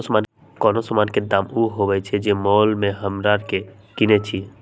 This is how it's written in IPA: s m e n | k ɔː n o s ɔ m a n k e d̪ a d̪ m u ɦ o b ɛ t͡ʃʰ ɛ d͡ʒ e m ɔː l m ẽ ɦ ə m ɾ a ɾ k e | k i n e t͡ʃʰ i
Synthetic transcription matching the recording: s m a n | k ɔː n o s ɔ m a n k e d̪ a m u ɦ o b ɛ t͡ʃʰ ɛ d͡ʒ e m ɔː l m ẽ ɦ ə m ɾ a ɾ k e | k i n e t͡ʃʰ i